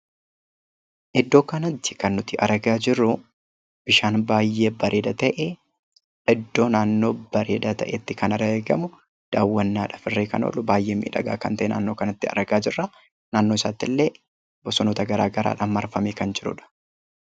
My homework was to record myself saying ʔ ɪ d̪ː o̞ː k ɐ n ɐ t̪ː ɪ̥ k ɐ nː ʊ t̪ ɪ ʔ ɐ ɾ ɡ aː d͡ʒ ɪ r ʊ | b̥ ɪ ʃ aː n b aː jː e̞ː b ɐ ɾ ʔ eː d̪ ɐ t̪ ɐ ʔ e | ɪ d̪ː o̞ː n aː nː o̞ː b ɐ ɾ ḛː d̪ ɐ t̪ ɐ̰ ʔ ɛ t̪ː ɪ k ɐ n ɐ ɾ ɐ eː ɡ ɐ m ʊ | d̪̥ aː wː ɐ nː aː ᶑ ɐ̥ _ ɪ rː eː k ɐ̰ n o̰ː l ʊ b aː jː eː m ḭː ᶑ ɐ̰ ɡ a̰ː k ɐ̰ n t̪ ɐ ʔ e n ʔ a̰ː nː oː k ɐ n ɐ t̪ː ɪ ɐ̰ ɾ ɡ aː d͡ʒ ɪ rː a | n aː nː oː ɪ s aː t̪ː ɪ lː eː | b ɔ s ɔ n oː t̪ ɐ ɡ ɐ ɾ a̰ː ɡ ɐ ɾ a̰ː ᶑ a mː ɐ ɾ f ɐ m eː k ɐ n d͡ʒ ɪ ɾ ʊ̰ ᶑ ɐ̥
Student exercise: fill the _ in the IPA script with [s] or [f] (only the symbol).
f